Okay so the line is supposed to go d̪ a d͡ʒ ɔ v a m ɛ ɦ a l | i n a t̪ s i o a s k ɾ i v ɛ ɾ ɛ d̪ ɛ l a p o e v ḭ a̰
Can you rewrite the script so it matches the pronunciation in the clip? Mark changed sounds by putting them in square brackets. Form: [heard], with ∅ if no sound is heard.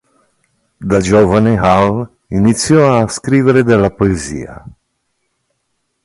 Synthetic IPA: d̪ a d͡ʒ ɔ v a [n] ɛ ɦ a l | i n [i] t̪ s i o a s k ɾ i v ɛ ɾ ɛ d̪ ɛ l a p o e [z] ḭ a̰